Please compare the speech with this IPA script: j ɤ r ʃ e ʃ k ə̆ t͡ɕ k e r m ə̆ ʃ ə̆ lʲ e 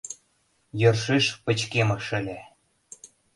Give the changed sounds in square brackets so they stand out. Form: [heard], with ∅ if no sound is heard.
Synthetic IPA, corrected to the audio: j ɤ r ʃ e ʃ [p] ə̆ t͡ɕ k e [∅] m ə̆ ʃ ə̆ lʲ e